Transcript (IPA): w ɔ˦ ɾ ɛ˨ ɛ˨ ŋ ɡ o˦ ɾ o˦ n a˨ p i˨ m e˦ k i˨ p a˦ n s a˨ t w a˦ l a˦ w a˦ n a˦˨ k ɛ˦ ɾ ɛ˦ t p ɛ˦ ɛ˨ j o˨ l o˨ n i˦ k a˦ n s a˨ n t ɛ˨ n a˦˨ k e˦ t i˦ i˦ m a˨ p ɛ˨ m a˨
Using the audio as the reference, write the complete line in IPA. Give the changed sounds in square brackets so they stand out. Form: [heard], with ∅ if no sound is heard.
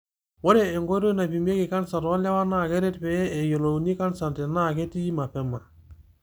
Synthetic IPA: w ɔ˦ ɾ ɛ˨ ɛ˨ ŋ ɡ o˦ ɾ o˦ n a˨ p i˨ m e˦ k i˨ [k] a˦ n s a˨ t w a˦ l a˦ w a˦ n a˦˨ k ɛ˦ ɾ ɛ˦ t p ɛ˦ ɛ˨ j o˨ l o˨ n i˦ k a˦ n s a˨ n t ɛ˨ n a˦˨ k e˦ t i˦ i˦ m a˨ p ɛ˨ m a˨